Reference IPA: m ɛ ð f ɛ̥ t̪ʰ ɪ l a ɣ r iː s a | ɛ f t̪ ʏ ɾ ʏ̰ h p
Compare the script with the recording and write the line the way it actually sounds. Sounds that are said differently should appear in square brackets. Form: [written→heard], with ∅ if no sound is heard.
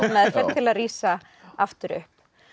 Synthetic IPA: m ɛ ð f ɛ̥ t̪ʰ ɪ l a [ɣ→ð] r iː s a | [ɛ→a] f t̪ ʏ ɾ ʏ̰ h p